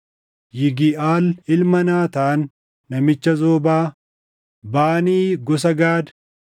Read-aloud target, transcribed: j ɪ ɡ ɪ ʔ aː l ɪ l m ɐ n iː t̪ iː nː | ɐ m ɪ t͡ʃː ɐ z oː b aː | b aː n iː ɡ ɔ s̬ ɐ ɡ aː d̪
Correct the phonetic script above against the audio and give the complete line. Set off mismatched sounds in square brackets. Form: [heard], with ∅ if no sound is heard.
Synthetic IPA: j ɪ ɡ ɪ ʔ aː l ɪ l m ɐ n [aː] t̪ [aː] nː | ɐ m ɪ t͡ʃː ɐ z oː b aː | b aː n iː ɡ ɔ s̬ ɐ ɡ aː d̪